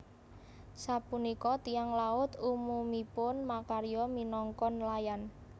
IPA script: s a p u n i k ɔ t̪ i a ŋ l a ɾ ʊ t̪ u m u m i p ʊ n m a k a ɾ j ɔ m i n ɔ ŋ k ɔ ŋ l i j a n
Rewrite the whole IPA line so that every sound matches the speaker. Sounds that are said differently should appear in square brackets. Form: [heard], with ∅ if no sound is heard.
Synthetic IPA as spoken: s a p u n i k ɔ t̪ i a ŋ l a [∅] ʊ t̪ u m u m i p ʊ n m a k a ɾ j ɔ m i n ɔ ŋ k ɔ [n] l [a] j a n